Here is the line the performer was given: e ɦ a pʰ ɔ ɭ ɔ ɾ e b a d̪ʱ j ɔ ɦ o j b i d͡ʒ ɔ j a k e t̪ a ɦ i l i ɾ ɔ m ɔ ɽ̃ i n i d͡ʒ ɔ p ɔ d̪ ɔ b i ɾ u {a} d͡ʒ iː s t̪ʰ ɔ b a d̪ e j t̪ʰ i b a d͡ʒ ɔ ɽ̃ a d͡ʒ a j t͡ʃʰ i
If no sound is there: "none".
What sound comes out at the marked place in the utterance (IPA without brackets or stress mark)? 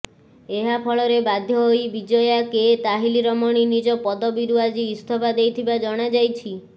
a